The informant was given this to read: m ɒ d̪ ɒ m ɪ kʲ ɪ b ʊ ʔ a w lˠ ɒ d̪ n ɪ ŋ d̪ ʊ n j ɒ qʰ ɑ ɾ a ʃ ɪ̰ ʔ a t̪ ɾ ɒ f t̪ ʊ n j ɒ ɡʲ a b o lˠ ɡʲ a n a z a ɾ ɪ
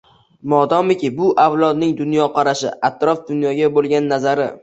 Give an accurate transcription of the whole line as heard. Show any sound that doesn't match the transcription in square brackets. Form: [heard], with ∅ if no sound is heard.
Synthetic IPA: m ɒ d̪ ɒ m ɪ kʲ ɪ b ʊ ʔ a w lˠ ɒ d̪ n ɪ ŋ d̪ ʊ n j ɒ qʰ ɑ ɾ a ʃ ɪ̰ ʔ a t̪ ɾ ɒ f [d̪] ʊ n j ɒ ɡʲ a b o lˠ ɡʲ a [nː] a z a ɾ ɪ